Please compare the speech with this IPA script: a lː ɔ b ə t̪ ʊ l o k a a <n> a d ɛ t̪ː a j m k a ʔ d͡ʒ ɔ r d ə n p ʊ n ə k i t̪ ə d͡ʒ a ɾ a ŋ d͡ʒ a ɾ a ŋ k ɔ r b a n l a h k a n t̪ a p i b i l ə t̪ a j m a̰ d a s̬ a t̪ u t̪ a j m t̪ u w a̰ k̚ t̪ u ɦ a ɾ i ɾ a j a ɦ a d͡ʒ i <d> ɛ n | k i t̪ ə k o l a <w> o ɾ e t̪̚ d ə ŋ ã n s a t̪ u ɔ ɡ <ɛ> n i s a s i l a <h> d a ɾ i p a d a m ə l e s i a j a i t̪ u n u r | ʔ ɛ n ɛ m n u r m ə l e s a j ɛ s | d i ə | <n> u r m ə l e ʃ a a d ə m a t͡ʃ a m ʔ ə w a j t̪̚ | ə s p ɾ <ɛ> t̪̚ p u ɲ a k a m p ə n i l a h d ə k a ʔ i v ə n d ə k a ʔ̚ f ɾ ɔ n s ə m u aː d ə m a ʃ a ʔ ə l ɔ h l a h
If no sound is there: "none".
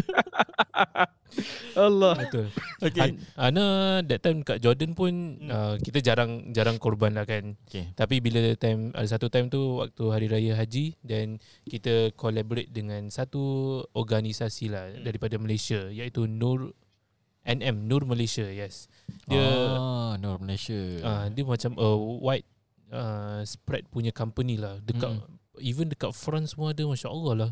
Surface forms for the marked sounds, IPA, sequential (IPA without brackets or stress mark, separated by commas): n, d, b, a, h, n, ɛ